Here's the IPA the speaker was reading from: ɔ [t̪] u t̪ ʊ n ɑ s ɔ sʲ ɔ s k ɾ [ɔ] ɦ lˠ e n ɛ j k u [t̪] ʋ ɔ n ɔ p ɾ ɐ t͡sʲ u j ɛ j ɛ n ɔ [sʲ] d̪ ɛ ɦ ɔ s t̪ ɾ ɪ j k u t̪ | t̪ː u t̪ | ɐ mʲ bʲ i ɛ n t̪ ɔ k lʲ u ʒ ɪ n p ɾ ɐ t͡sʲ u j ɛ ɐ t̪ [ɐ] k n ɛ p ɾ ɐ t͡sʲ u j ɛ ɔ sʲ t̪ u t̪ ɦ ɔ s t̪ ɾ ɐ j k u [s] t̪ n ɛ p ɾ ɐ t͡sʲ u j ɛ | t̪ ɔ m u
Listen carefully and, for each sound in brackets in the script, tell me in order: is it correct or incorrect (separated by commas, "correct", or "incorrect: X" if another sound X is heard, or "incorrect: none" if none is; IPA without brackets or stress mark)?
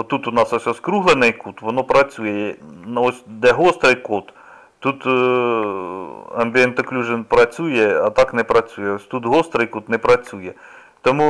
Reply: correct, incorrect: u, correct, correct, incorrect: ɑ, incorrect: none